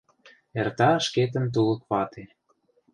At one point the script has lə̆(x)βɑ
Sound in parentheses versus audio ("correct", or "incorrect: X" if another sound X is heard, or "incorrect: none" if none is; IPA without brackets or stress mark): incorrect: k